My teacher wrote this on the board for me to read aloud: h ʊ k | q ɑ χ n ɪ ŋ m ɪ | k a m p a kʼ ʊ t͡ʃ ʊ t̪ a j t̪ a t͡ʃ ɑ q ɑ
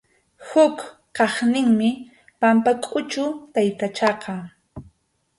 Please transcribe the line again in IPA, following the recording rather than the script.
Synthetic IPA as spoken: h ʊ k | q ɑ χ n ɪ ŋ m ɪ | p a m p a kʼ ʊ t͡ʃ ʊ t̪ a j t̪ a t͡ʃ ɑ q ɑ